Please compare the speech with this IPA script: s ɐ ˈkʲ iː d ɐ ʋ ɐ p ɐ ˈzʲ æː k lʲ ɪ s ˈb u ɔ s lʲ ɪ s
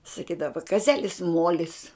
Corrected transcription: s ɐ ˈkʲ iː d ɐ ʋ ɐ k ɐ ˈzʲ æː lʲ ɪ s ˈm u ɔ lʲ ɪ s